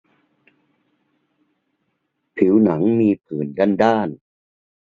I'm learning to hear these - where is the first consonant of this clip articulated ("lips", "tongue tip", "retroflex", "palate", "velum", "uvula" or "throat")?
lips